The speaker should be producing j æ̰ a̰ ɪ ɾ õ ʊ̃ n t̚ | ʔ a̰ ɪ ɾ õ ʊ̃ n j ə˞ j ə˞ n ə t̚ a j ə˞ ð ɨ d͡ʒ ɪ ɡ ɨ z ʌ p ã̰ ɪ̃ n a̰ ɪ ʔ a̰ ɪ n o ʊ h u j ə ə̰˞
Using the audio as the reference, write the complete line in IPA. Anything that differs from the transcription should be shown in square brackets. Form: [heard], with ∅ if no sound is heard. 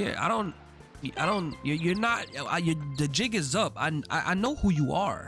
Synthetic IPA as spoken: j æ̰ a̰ ɪ ɾ õ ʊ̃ n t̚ | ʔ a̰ ɪ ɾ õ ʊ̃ n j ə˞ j ə˞ n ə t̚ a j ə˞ ð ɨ d͡ʒ ɪ ɡ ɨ z ʌ p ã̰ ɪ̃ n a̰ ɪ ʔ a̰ ɪ n o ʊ h u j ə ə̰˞